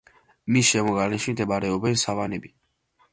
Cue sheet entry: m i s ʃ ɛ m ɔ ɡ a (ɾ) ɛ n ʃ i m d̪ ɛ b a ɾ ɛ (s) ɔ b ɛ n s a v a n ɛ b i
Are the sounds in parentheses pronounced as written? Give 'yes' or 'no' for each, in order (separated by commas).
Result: no, no